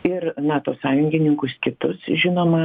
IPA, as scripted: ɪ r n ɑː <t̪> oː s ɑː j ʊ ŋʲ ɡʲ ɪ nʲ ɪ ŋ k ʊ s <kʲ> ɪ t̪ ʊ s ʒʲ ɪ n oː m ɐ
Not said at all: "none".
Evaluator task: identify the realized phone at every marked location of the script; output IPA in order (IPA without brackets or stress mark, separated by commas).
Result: t̪, kʲ